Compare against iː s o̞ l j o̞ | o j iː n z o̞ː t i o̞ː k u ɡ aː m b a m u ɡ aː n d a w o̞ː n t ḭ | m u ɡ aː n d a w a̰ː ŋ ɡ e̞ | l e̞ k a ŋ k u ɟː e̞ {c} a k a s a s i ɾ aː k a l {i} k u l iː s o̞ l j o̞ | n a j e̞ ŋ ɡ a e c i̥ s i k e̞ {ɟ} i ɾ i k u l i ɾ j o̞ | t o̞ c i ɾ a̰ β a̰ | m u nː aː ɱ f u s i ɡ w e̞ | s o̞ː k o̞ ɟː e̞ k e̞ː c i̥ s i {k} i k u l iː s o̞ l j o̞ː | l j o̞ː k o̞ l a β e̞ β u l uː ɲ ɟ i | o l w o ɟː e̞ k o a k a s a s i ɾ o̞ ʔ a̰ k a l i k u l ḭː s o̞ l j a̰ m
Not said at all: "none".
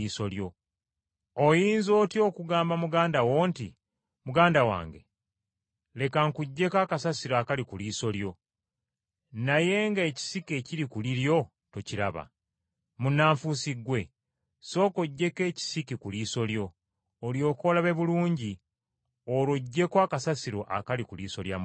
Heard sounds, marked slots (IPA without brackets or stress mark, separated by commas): k, i, c, k